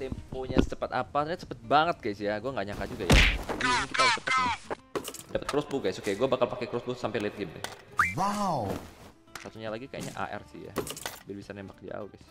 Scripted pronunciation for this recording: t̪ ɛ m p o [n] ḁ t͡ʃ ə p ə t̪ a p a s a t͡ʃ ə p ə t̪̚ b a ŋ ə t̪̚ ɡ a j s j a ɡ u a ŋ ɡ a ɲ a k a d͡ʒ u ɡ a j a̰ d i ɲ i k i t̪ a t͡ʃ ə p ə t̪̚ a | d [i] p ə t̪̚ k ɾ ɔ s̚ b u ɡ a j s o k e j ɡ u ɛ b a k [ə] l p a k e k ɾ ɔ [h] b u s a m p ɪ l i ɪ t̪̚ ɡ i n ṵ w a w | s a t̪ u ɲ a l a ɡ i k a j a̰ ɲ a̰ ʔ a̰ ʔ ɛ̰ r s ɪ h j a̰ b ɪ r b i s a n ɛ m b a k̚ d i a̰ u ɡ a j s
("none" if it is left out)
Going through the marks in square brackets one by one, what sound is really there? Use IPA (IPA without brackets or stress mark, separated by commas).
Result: ɲ, a, a, s